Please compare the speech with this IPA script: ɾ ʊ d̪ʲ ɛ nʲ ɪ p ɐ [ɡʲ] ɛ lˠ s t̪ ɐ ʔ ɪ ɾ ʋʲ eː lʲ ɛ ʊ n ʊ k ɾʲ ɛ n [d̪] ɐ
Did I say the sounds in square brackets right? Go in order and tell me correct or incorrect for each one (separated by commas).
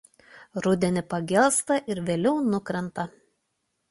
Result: correct, incorrect